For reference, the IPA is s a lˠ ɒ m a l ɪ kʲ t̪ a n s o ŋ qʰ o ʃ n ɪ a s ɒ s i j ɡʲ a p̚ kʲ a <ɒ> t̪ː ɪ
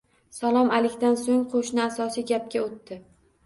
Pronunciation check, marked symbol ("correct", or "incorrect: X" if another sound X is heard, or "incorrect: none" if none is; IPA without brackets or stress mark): incorrect: o